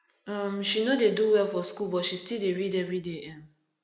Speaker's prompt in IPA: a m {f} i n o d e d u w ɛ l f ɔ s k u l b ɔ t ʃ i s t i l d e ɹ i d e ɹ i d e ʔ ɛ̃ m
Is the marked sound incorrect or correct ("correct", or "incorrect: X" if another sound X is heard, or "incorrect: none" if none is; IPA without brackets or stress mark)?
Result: incorrect: ʃ